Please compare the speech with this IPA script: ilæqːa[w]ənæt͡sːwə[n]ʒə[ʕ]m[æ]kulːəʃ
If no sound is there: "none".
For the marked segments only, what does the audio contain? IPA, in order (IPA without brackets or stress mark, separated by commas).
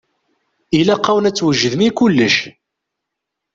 w, none, ð, i